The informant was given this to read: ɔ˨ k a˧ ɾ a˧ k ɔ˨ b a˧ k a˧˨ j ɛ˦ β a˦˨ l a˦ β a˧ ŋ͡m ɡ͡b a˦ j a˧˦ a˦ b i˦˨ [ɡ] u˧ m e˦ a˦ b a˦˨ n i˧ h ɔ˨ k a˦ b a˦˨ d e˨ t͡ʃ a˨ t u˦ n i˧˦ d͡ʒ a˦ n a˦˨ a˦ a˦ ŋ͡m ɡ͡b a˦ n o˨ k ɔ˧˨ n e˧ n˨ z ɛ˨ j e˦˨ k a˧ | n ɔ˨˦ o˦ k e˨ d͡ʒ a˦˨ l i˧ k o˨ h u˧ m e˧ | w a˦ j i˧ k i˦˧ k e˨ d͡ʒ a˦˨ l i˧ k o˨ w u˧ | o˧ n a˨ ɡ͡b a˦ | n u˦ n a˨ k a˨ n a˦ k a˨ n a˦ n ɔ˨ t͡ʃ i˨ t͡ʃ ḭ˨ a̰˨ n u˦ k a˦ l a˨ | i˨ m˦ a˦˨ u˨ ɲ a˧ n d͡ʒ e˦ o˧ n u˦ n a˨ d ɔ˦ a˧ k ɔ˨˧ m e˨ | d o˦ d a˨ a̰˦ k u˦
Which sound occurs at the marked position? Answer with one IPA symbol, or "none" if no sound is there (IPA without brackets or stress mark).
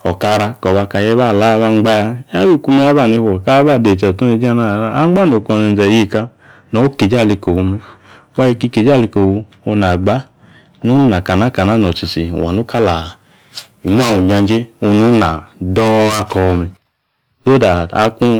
k